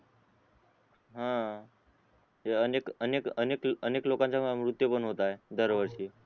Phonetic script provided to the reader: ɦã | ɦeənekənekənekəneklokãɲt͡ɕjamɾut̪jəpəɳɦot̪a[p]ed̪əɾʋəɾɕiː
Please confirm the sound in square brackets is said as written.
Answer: no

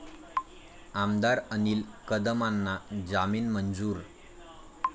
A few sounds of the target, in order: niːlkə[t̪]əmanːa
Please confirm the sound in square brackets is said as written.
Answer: no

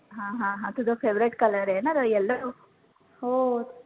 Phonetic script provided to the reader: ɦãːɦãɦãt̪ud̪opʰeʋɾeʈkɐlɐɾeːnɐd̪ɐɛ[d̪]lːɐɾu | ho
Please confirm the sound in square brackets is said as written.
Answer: no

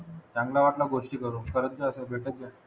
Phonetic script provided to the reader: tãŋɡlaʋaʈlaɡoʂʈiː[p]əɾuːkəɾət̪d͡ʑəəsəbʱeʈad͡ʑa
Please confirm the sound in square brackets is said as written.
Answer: no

